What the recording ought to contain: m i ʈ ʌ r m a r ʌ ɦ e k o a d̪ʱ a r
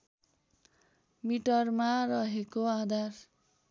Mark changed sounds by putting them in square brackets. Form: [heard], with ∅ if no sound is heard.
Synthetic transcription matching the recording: m i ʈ ʌ r m a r ʌ ɦ e k o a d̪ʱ a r